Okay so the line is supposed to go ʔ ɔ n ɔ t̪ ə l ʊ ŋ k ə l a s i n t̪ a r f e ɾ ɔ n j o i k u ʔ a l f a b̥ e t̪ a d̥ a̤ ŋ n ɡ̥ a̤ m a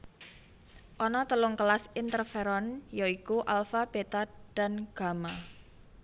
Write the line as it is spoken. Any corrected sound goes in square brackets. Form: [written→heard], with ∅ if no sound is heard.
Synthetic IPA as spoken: ʔ ɔ n ɔ t̪ ə l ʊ ŋ k ə l a s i n t̪ [a→ə] r f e ɾ ɔ n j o i k u ʔ a l f a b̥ e t̪ a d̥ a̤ [ŋ→∅] n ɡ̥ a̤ m a